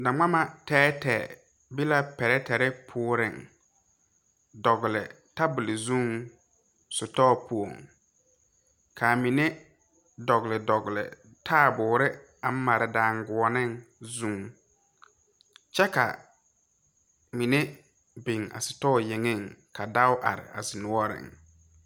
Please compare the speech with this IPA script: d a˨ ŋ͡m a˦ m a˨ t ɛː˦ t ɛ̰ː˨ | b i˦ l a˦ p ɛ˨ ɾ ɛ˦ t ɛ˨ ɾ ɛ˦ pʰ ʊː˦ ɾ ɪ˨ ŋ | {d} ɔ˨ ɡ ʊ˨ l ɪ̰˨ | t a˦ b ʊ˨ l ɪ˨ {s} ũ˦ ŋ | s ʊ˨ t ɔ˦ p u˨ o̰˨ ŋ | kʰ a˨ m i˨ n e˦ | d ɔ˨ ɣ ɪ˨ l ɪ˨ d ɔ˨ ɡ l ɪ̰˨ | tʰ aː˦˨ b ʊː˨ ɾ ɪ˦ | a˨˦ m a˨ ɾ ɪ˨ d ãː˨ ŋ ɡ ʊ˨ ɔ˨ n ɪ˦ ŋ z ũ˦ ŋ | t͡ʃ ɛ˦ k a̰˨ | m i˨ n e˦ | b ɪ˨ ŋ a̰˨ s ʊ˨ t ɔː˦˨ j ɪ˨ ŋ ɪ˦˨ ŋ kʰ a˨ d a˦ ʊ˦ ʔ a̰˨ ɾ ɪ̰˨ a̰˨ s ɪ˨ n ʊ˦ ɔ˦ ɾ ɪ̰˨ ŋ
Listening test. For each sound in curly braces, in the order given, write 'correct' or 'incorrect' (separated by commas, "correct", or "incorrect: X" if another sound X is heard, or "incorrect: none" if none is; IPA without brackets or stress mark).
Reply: correct, incorrect: z